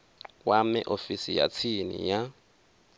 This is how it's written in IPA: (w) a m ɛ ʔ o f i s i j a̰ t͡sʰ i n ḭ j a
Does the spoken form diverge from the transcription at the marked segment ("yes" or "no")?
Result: no